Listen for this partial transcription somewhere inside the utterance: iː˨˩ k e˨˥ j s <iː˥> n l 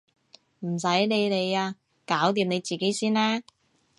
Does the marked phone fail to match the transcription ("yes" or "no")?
no